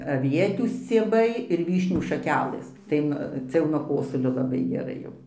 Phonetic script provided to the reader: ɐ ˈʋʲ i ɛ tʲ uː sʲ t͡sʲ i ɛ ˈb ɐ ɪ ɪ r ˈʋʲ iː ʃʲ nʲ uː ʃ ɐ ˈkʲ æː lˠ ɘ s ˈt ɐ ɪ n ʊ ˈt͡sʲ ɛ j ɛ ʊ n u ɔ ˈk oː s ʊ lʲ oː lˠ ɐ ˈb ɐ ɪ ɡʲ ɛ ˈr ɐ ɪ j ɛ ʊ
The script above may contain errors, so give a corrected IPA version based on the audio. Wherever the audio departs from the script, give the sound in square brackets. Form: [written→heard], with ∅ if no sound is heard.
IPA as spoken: ɐ ˈʋʲ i ɛ tʲ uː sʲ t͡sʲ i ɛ ˈb ɐ ɪ ɪ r ˈʋʲ iː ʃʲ nʲ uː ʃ ɐ ˈkʲ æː lˠ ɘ s ˈt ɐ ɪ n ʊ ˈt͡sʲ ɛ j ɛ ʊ n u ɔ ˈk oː s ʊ lʲ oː lˠ ɐ ˈb ɐ ɪ ɡʲ ɛ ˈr ɐ ɪ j ɛ ʊ

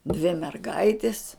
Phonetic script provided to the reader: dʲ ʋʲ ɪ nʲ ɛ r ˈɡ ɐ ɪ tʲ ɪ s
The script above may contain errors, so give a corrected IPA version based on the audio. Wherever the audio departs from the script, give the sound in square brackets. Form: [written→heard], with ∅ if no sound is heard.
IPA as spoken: dʲ ʋʲ ɪ [nʲ→mʲ] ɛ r ˈɡ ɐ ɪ tʲ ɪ s

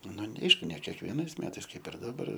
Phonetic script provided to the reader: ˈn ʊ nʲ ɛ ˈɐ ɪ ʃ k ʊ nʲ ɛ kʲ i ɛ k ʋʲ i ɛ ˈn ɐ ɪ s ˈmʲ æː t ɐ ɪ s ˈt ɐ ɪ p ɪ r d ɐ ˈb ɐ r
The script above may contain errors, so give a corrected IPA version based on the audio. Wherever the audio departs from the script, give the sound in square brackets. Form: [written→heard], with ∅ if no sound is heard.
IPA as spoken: ˈn ʊ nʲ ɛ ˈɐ ɪ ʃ k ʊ nʲ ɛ kʲ i ɛ k ʋʲ i ɛ ˈn ɐ ɪ s ˈmʲ æː t ɐ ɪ s [ˈt→ˈk] ɐ ɪ p ɪ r d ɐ ˈb ɐ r

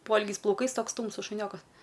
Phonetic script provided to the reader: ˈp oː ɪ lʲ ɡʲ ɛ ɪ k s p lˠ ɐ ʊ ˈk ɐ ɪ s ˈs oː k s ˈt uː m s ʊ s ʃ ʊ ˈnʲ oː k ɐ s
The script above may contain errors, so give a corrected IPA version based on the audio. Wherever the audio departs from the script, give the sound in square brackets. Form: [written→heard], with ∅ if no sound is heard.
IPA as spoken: ˈp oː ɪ lʲ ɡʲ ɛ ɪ [k→∅] s p lˠ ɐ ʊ ˈk ɐ ɪ s [ˈs→ˈt] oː k s ˈt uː m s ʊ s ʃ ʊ ˈnʲ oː k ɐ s

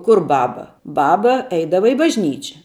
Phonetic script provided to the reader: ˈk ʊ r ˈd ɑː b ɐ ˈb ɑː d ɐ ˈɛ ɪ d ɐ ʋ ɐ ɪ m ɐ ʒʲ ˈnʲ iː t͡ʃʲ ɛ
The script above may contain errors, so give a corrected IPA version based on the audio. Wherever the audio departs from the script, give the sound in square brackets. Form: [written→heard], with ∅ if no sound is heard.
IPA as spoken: ˈk ʊ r [ˈd→ˈb] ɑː b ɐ ˈb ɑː [d→b] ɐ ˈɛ ɪ d ɐ ʋ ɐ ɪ [m→b] ɐ ʒʲ ˈnʲ iː t͡ʃʲ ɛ

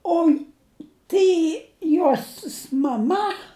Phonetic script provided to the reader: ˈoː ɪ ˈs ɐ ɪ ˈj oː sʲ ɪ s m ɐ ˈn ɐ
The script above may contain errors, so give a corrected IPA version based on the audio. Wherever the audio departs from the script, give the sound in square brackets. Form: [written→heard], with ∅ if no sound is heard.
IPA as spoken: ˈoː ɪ [ˈs→ˈt] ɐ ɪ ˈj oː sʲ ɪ s m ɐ [ˈn→ˈm] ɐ

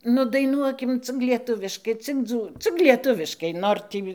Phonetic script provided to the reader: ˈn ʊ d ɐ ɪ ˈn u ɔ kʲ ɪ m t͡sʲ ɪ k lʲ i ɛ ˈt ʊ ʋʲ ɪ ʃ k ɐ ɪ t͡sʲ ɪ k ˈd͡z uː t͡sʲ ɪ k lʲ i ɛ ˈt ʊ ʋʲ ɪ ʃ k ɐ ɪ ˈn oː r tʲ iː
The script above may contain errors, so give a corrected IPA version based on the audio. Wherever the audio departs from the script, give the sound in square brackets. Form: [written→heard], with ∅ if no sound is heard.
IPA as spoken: ˈn ʊ d ɐ ɪ ˈn u ɔ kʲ ɪ m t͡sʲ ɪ k lʲ i ɛ ˈt ʊ ʋʲ ɪ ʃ k ɐ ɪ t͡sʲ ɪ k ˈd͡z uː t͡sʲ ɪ k lʲ i ɛ ˈt ʊ ʋʲ ɪ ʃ k ɐ ɪ ˈn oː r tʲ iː

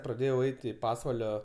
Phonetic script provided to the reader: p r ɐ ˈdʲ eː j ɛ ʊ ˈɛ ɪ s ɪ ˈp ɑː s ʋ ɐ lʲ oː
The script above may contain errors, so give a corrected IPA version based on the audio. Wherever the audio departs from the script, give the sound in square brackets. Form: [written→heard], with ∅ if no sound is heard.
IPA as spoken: p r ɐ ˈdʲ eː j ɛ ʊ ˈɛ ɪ [s→t] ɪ ˈp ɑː s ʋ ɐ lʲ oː

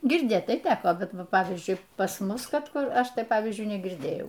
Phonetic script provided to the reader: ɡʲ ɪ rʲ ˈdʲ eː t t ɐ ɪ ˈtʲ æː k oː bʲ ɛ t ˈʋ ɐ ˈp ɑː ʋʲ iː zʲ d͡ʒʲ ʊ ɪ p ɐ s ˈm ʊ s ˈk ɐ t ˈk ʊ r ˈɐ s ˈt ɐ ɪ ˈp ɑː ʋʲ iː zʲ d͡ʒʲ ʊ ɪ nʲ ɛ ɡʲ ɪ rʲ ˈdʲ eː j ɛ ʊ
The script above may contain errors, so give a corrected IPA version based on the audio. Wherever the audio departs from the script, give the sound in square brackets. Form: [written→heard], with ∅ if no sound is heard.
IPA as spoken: ɡʲ ɪ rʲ ˈdʲ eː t t ɐ ɪ ˈtʲ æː k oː bʲ ɛ t ˈʋ ɐ ˈp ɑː ʋʲ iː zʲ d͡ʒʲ ʊ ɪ p ɐ s ˈm ʊ s ˈk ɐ t ˈk ʊ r ˈɐ [s→ʃ] ˈt ɐ ɪ ˈp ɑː ʋʲ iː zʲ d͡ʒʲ ʊ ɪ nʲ ɛ ɡʲ ɪ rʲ ˈdʲ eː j ɛ ʊ

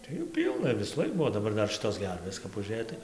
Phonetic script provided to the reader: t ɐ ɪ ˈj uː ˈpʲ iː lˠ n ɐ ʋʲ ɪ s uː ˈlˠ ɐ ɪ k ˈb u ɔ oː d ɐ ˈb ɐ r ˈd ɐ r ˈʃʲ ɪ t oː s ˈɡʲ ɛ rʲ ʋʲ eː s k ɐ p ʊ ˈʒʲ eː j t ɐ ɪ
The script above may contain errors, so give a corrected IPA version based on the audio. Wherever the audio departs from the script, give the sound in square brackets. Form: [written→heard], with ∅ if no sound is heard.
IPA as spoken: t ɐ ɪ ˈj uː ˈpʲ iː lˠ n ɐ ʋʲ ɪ s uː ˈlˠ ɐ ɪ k ˈb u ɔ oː d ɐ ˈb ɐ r ˈd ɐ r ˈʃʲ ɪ t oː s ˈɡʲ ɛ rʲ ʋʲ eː s k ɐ p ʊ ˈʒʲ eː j t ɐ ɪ

